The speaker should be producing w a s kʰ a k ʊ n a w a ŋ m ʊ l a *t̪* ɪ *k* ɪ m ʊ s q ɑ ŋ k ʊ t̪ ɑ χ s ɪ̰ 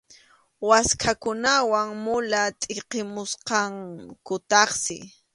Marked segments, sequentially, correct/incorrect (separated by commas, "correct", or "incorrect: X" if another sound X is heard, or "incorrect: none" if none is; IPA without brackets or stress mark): incorrect: t̪ʼ, incorrect: q